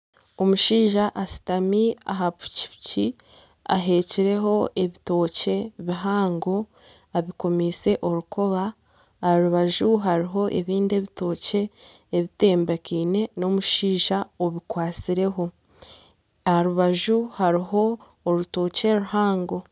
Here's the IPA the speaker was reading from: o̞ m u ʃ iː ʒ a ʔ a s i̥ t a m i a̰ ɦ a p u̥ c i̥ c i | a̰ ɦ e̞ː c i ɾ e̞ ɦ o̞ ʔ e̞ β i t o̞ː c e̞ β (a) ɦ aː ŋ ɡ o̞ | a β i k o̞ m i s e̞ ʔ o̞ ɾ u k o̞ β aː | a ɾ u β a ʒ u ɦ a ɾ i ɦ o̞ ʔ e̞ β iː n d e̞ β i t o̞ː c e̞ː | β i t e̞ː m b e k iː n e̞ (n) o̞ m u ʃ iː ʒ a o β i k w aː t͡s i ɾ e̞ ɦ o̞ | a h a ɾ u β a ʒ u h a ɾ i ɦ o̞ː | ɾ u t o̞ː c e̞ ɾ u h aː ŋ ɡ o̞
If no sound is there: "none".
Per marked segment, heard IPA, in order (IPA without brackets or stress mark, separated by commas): i, n